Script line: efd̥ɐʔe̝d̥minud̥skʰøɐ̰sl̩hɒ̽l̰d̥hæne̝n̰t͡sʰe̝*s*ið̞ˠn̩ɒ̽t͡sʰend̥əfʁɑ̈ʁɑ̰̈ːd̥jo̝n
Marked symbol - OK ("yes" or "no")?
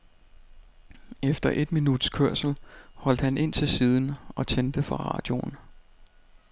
yes